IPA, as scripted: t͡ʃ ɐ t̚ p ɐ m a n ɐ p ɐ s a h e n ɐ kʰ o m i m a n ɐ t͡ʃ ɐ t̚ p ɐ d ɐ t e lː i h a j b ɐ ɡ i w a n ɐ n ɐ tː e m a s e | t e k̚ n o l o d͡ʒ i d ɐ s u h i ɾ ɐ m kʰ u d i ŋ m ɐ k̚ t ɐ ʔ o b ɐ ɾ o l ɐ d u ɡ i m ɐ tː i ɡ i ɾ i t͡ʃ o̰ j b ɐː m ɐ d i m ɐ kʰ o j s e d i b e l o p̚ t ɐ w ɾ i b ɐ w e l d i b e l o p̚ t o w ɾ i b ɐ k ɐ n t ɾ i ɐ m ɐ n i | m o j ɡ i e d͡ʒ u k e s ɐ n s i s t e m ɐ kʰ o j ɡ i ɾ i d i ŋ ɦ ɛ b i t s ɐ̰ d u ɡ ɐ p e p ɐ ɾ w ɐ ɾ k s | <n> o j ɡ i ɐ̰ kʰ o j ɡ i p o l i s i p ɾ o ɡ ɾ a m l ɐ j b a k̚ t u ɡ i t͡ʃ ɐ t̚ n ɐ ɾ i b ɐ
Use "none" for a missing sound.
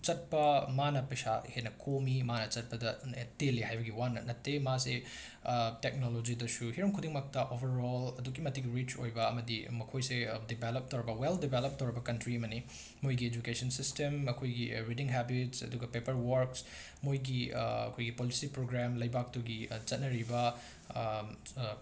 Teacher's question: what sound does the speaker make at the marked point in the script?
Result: m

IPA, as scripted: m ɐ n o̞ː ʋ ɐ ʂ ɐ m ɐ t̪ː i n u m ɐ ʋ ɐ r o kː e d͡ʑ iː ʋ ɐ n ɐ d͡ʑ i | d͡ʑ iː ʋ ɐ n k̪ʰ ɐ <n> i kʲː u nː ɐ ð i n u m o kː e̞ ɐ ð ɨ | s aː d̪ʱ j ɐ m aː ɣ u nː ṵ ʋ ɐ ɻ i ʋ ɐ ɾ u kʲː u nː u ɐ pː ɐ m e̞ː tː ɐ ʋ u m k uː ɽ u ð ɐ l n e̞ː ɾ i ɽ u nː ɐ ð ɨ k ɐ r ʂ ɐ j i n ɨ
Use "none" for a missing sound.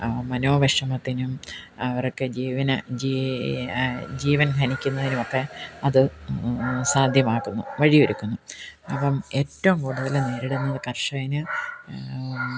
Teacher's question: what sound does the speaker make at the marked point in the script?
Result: n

